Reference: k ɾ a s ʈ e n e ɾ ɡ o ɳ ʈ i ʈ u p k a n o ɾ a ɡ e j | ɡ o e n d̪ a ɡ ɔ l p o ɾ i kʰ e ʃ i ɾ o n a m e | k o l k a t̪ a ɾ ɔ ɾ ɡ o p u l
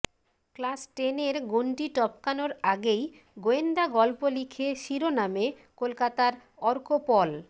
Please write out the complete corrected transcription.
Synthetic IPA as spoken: k l a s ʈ e n e ɾ ɡ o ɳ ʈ i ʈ ɔ p k a n o ɾ a ɡ e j | ɡ o e n d̪ a ɡ ɔ l p o l i kʰ e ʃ i ɾ o n a m e | k o l k a t̪ a ɾ ɔ ɾ k o p ɔ l